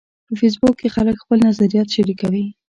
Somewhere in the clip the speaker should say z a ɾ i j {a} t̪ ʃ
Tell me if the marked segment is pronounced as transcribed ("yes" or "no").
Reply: no